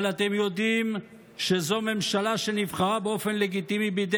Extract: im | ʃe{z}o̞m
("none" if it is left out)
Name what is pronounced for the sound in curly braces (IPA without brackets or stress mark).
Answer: z